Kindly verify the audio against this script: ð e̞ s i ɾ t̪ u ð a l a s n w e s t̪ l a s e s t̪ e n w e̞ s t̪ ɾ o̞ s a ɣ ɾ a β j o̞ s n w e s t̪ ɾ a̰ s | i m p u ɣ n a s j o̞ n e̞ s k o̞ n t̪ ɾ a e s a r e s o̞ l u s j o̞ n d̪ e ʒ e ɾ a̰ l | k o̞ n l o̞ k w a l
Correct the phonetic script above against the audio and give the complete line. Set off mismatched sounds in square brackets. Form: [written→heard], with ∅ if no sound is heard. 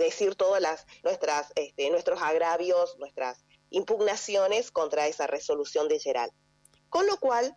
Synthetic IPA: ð e̞ s i ɾ t̪ [u→o] ð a l a s n w e s t̪ [l→ɾ] a s e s t̪ e n w e̞ s t̪ ɾ o̞ s a ɣ ɾ a β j o̞ s n w e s t̪ ɾ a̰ s | i m p u ɣ n a s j o̞ n e̞ s k o̞ n t̪ ɾ a e s a r e s o̞ l u s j o̞ n d̪ e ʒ e ɾ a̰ l | k o̞ n l o̞ k w a l